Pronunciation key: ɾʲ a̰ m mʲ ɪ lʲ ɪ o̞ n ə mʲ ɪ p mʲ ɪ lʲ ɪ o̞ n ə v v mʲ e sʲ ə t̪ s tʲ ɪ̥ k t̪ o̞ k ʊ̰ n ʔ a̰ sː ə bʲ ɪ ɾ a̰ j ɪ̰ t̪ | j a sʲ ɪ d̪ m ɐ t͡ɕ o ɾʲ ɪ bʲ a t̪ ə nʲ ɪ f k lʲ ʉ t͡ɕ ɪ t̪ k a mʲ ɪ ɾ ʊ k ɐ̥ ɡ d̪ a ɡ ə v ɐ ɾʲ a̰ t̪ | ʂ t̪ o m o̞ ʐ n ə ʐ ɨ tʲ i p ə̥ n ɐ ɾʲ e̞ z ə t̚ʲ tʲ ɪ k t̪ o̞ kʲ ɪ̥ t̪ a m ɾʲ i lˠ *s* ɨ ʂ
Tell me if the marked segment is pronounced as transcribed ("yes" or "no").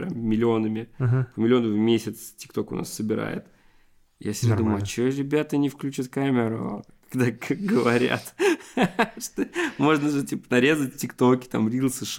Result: yes